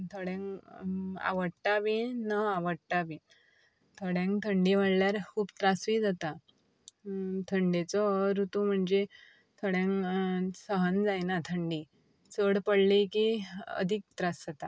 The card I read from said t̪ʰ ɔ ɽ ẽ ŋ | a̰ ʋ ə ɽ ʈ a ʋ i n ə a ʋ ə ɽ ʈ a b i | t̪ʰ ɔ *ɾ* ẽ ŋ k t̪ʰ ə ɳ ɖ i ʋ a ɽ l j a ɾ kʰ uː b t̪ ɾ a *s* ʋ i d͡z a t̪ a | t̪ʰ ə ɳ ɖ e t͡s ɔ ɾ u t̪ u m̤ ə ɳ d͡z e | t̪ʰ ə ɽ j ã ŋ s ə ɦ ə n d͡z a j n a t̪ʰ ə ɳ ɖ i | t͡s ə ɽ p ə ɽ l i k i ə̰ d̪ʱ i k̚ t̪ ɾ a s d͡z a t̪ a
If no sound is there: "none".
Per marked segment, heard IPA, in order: ɽ, s

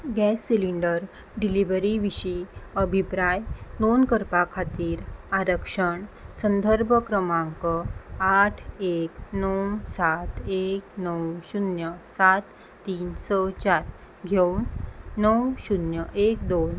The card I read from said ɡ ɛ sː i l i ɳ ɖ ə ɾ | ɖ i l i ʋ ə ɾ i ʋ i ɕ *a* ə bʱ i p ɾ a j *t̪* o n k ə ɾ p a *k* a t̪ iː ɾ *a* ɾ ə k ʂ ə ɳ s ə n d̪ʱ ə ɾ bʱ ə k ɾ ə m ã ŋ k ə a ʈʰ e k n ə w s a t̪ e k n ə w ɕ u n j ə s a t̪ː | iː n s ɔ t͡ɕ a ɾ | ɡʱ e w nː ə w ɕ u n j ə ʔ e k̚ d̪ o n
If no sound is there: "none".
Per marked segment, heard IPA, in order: i, d̪, kʰ, a

